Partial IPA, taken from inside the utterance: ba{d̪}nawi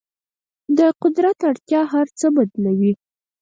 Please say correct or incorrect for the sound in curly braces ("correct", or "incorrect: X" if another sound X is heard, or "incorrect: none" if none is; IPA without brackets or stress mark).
correct